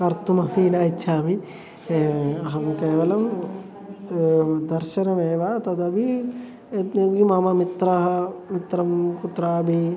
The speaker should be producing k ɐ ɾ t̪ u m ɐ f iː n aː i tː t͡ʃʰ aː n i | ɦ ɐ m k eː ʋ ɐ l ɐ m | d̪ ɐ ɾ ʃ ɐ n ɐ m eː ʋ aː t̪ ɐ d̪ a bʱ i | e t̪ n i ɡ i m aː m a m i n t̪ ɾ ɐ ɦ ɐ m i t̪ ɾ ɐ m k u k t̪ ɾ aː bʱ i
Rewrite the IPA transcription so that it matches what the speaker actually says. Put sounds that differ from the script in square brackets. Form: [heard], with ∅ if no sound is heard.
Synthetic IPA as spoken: k ɐ ɾ t̪ u m ɐ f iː n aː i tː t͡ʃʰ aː [m] i | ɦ ɐ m k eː ʋ ɐ l ɐ m | d̪ ɐ ɾ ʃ ɐ n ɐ m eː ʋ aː t̪ ɐ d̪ [ɐ] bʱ i | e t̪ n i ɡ i m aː m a m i [∅] t̪ ɾ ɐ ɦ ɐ m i t̪ ɾ ɐ m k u [∅] t̪ ɾ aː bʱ i